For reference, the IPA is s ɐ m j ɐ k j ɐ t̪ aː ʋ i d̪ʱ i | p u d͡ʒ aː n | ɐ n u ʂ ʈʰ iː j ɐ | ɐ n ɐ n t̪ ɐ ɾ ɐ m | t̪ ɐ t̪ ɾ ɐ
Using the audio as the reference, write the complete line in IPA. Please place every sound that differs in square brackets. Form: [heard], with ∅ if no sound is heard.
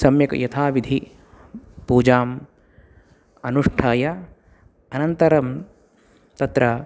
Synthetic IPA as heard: s ɐ m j ɐ k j ɐ [t̪ʰ] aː ʋ i d̪ʱ i | p [uː] d͡ʒ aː [m] | ɐ n u ʂ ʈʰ [aː] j ɐ | ɐ n ɐ n t̪ ɐ ɾ ɐ m | t̪ ɐ t̪ ɾ ɐ